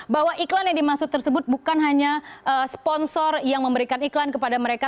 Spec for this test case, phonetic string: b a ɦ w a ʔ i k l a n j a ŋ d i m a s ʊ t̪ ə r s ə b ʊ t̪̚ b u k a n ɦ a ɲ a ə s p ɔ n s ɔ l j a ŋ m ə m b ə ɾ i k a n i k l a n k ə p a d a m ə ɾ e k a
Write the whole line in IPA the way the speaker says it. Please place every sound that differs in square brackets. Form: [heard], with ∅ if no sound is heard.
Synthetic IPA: b a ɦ w a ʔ i k l a n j a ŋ d i m a s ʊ t̪ ə r s ə b ʊ t̪̚ b u k a n ɦ a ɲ a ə s p ɔ n s ɔ [r] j a ŋ m ə m b ə ɾ i k a n i k l a n k ə p a d a m ə ɾ e k a